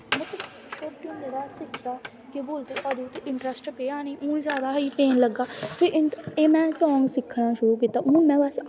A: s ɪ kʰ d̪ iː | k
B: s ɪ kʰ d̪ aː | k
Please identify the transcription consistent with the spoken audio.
B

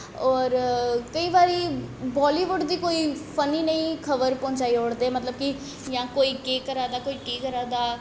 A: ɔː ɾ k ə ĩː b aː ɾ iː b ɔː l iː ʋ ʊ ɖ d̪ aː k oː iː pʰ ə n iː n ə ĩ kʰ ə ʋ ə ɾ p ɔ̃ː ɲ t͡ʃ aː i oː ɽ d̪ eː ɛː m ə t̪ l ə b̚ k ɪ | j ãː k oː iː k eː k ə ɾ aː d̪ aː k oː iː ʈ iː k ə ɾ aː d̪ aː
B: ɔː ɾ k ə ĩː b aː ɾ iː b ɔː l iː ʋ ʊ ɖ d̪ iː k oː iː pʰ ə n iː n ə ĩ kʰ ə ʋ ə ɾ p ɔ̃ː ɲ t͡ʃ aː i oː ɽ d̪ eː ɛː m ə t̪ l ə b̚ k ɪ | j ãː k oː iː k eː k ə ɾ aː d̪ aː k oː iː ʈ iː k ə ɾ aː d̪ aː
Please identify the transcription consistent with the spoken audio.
B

